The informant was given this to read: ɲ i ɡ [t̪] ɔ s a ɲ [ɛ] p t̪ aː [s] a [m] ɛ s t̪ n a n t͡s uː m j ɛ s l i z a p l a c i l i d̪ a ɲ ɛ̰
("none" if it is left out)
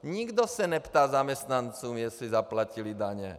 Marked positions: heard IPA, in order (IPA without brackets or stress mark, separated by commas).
d̪, ɛ, z, m